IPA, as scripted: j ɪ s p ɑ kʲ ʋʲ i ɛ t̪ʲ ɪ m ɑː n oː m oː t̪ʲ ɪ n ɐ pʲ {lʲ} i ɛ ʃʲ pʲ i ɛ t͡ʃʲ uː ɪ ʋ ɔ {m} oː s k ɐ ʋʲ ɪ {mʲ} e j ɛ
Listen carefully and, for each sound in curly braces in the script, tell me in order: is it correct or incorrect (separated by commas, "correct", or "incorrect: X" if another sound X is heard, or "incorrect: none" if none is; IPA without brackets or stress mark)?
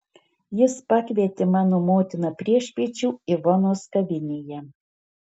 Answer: incorrect: ɾʲ, incorrect: n, incorrect: nʲ